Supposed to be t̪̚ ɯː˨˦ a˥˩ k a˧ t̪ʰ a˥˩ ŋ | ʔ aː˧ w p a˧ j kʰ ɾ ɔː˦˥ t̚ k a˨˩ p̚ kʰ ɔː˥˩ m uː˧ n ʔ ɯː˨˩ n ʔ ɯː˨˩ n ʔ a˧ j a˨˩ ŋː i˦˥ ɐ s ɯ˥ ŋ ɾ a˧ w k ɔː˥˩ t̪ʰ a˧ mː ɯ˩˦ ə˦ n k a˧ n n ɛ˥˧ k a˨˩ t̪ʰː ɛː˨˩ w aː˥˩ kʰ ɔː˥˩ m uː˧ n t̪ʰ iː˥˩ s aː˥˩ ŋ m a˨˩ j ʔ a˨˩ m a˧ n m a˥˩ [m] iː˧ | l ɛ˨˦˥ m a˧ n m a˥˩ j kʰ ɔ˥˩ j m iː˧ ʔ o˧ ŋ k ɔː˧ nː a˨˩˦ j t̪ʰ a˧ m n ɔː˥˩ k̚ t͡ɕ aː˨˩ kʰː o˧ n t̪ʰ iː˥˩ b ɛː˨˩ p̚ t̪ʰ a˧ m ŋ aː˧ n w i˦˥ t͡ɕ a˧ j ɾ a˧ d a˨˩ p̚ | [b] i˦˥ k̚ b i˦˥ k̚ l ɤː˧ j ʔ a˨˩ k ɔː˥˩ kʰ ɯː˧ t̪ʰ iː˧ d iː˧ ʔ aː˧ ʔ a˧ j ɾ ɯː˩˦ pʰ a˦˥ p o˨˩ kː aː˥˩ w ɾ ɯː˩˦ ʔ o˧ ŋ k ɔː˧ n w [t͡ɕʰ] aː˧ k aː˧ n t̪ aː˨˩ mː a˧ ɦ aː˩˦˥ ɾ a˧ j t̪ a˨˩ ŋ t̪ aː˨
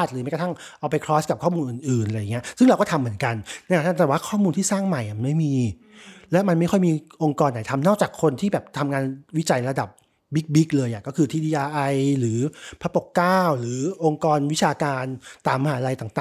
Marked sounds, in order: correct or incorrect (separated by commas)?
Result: correct, correct, correct